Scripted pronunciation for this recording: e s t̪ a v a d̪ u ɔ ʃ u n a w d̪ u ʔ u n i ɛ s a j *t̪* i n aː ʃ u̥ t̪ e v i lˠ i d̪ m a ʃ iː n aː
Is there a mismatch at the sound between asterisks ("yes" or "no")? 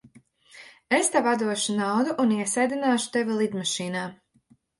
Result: yes